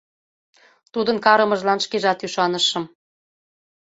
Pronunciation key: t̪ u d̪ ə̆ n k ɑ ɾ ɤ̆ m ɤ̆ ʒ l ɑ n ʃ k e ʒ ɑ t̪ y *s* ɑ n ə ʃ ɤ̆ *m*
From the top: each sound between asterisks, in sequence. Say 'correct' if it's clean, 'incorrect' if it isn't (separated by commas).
incorrect, correct